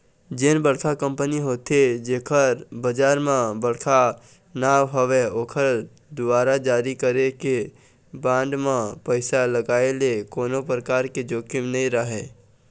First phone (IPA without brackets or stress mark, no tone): d͡ʒ